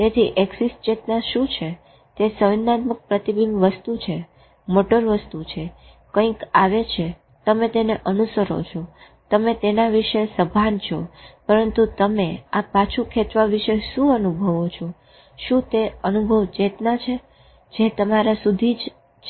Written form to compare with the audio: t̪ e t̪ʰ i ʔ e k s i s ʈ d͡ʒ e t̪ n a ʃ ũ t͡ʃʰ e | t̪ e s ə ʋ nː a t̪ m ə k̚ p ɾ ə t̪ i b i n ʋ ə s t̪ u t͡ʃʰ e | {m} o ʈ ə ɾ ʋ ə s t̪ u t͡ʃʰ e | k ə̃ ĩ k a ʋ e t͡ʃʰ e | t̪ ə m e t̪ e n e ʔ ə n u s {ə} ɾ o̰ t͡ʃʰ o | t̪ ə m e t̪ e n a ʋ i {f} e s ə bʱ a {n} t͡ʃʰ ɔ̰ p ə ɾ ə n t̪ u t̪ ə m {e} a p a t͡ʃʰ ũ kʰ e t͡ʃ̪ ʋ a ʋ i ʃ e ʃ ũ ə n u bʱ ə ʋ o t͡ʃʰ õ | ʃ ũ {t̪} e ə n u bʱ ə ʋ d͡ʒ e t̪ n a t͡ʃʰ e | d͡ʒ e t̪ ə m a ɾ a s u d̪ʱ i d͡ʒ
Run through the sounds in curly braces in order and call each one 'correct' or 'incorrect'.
correct, correct, incorrect: ʃ, correct, correct, correct

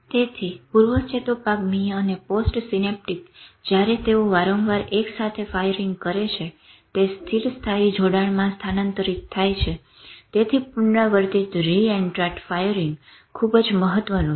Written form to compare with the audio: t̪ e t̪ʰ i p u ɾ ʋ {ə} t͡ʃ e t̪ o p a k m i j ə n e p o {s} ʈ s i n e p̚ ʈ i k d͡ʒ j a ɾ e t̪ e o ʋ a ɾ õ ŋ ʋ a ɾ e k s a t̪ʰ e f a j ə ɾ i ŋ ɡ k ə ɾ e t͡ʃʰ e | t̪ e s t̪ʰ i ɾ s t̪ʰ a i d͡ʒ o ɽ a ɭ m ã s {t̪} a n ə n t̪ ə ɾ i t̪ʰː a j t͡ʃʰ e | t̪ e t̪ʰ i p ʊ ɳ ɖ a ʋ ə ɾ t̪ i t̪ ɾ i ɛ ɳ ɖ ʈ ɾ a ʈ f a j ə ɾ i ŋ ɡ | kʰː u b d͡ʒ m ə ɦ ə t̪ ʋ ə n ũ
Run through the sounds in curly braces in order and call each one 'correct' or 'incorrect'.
correct, correct, incorrect: t̪ʰ

